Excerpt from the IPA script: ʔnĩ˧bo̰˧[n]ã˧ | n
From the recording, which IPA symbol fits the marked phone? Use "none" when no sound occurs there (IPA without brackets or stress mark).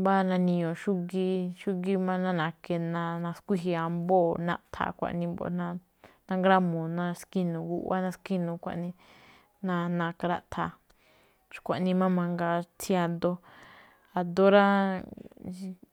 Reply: n